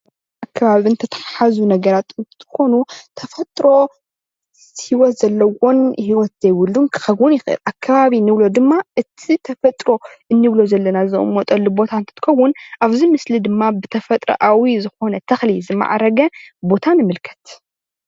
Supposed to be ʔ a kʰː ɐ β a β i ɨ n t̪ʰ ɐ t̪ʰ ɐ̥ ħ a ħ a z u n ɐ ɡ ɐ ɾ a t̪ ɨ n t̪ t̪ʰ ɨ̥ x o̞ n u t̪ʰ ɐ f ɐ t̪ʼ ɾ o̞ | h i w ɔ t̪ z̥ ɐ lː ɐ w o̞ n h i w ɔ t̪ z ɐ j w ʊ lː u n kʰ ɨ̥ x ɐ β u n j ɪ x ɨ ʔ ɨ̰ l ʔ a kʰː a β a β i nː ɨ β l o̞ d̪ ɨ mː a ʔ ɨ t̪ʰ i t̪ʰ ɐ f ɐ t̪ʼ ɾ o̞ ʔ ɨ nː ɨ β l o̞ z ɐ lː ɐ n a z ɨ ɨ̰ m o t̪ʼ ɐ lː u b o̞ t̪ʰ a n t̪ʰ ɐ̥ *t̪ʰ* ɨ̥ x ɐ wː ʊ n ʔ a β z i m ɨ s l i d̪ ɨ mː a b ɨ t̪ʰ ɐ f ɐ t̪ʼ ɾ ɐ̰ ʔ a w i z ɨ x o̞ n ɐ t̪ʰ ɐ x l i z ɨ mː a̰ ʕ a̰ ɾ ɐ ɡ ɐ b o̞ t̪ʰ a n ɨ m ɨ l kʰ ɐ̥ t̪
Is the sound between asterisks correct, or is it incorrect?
incorrect